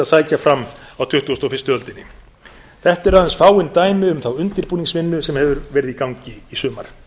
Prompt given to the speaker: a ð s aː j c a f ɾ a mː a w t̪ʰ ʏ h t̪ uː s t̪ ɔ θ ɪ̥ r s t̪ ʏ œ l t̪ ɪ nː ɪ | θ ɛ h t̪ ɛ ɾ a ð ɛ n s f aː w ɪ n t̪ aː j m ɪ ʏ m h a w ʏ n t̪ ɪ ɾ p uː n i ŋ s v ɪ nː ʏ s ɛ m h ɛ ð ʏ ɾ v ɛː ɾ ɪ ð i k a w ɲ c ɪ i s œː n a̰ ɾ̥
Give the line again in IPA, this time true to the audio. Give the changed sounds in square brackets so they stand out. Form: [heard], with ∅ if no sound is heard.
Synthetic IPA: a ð s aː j c a f ɾ a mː a w t̪ʰ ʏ h t̪ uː s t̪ ɔ [f] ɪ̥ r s t̪ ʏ œ l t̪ ɪ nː ɪ | θ ɛ h t̪ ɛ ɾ a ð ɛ n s f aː w ɪ n t̪ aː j m ɪ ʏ m [θ] a w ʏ n t̪ ɪ ɾ p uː n i ŋ s v ɪ nː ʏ s ɛ m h ɛ [v] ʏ ɾ v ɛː ɾ ɪ ð i k a w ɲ c ɪ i s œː [m] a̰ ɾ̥